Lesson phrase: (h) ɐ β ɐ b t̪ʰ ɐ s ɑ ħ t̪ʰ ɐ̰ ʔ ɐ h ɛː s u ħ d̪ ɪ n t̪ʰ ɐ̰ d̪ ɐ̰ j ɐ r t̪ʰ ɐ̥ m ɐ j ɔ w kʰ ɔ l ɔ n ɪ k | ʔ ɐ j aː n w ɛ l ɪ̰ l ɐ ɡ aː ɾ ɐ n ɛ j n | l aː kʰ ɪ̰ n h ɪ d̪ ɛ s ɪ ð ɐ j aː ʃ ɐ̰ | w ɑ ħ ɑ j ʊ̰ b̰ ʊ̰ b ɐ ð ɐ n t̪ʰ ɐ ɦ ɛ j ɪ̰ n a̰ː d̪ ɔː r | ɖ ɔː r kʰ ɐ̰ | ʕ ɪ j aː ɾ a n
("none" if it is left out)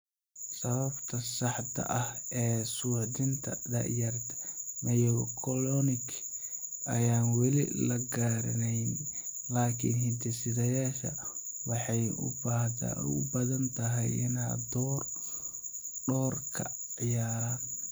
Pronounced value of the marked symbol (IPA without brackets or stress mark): s